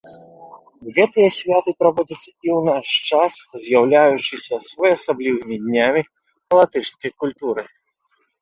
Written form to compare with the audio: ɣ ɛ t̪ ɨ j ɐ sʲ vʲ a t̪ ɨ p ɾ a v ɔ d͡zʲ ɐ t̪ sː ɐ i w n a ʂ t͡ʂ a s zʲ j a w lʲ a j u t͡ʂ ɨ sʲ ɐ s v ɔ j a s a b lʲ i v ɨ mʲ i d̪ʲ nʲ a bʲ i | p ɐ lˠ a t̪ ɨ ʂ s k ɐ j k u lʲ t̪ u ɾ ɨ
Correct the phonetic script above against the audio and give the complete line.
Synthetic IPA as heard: ɣ ɛ t̪ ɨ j ɐ sʲ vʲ a t̪ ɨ p ɾ a v ɔ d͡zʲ ɐ t̪ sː ɐ i w n a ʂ t͡ʂ a s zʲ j a w lʲ a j u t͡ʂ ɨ sʲ ɐ s v ɔ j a s a b lʲ i v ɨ mʲ i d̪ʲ nʲ a mʲ i | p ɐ lˠ a t̪ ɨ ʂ s k ɐ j k u lʲ t̪ u ɾ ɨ